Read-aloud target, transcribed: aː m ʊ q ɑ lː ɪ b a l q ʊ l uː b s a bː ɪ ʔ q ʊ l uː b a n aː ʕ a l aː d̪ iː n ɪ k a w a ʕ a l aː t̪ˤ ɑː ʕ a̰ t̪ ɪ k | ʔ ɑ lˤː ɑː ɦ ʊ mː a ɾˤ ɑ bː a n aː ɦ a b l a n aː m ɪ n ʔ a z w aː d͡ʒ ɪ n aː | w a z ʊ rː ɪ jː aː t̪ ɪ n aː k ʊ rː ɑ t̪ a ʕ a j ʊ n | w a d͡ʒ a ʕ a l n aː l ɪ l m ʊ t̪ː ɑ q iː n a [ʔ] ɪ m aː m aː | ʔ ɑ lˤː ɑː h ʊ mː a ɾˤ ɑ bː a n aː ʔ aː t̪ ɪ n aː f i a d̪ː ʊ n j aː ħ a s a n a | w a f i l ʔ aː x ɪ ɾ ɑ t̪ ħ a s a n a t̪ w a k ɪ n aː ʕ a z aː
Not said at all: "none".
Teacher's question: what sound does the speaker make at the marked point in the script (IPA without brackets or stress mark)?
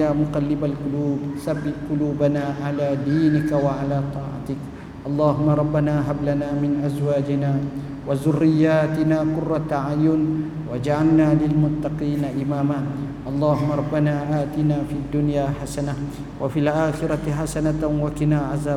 ʔ